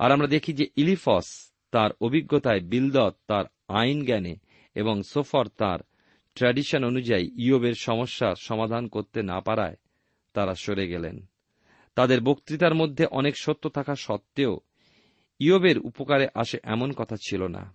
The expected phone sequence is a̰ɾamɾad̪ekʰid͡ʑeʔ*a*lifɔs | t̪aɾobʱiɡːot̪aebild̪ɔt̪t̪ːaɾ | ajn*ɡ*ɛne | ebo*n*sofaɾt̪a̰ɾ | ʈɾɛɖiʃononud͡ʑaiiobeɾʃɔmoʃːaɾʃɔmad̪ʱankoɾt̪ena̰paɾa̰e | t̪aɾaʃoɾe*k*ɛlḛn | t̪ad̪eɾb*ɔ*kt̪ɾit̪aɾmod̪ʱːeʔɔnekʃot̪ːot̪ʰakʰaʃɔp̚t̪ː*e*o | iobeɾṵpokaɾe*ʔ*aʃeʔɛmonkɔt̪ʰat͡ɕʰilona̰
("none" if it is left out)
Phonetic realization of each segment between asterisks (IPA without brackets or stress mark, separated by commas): i, ɡ, ŋ, ɡ, o, e, ʔ